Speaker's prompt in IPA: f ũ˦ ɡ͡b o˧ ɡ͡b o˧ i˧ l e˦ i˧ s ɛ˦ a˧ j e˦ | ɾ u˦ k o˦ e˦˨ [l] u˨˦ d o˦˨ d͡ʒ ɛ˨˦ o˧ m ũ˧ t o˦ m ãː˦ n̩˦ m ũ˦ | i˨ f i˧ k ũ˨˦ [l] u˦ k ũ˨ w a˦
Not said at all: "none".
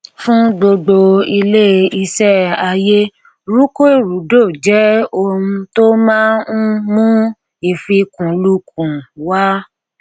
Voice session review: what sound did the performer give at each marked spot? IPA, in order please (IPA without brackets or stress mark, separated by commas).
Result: ɾ, l